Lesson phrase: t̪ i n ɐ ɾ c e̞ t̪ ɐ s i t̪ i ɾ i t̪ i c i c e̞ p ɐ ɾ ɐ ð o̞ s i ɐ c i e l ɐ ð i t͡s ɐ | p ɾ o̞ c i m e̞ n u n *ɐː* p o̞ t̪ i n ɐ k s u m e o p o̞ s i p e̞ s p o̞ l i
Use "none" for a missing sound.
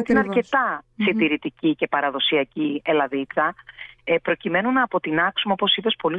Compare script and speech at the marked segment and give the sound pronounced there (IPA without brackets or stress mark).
ɐː